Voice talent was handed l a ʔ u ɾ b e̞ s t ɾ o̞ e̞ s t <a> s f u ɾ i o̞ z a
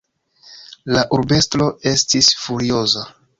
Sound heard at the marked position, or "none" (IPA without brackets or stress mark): i